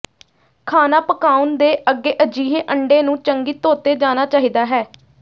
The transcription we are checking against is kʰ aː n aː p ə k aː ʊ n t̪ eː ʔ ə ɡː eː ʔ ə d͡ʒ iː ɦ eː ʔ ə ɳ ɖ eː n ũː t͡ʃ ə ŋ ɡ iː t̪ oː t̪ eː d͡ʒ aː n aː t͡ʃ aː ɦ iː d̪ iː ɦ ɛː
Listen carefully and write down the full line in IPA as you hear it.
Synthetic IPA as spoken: kʰ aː n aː p ə k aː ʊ n d̪ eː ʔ ə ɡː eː ʔ ə d͡ʒ iː ɦ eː ʔ ə ɳ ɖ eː n ũː t͡ʃ ə ŋ ɡ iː t̪ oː t̪ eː d͡ʒ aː n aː t͡ʃ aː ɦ iː d̪ aː ɦ ɛː